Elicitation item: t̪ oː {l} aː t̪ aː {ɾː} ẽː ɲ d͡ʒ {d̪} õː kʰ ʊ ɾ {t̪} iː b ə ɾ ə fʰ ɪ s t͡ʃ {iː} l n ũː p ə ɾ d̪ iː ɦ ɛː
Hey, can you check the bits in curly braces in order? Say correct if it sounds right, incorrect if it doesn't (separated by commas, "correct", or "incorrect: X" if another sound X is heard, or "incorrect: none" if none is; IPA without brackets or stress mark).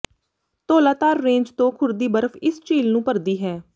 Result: correct, correct, incorrect: t̪, incorrect: d̪, correct